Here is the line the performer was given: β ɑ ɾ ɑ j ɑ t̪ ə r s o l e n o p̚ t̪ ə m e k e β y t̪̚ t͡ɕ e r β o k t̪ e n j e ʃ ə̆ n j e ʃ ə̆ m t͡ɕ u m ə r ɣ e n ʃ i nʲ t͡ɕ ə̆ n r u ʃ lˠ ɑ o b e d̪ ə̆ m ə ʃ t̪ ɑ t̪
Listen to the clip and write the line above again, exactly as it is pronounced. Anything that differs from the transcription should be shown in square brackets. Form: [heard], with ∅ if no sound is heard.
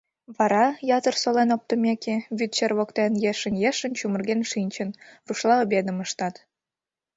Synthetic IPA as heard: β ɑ ɾ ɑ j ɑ t̪ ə r s o l e n o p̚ t̪ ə m e k e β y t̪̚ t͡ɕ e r β o k t̪ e n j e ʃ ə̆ n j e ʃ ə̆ [n] t͡ɕ u m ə r ɣ e n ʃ i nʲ t͡ɕ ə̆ n r u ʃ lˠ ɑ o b e d̪ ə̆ m ə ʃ t̪ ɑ t̪

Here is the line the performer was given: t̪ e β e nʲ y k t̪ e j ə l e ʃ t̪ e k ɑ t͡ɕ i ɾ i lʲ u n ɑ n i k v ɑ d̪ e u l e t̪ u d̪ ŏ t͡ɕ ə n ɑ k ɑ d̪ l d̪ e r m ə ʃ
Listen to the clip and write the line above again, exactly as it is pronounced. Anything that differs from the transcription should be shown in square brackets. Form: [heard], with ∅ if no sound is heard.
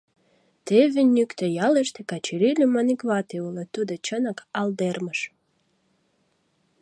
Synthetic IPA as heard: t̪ e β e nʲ y k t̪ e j [ɑ] l e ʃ t̪ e k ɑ t͡ɕ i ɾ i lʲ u [m] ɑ n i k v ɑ [t̪] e u l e t̪ u d̪ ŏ t͡ɕ ə n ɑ k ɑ [∅] l d̪ e r m ə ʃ

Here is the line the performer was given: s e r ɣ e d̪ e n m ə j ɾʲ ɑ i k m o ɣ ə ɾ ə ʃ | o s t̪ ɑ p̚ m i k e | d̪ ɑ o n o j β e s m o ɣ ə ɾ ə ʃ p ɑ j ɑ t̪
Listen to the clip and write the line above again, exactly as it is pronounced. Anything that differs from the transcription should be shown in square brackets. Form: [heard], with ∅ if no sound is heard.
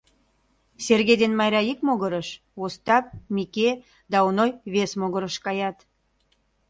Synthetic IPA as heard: s e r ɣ e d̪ e n m [ɑ] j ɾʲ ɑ i k m o ɣ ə ɾ ə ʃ | o s t̪ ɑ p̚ m i k e | d̪ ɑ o n o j β e s m o ɣ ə ɾ ə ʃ [k] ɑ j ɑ t̪

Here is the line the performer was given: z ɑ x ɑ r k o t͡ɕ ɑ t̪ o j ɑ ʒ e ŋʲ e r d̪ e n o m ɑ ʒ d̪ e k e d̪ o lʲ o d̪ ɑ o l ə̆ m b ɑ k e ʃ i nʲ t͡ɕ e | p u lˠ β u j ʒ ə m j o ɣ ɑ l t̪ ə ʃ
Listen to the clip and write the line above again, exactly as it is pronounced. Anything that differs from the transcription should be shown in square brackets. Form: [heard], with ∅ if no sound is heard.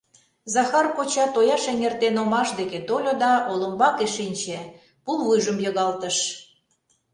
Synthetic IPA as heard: z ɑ x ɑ r k o t͡ɕ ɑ t̪ o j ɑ [ʃ] e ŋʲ e r [t̪] e n o m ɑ [ʃ] d̪ e k e [t̪] o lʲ o d̪ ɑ o l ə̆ m b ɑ k e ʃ i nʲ t͡ɕ e | p u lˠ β u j ʒ ə m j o ɣ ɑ l t̪ ə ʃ

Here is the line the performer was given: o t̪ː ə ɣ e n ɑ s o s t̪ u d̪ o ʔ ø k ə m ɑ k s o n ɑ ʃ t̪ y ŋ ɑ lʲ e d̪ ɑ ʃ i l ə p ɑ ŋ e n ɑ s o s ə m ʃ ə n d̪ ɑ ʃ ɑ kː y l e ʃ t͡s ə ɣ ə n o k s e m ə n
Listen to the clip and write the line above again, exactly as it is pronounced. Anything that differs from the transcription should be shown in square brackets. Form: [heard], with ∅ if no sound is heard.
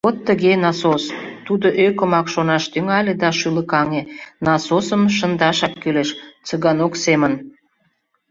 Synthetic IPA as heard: o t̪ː ə ɣ e n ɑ s o s t̪ u d̪ o ʔ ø k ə m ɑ k [ʃ] o n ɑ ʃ t̪ y ŋ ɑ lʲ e d̪ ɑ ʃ [y] l ə [k] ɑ ŋ e n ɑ s o s ə m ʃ ə n d̪ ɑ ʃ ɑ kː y l e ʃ t͡s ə ɣ [ɑ] n o k s e m ə n

